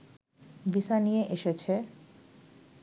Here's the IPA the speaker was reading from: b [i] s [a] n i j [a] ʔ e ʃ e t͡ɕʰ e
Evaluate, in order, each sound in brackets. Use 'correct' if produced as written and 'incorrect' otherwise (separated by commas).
correct, correct, incorrect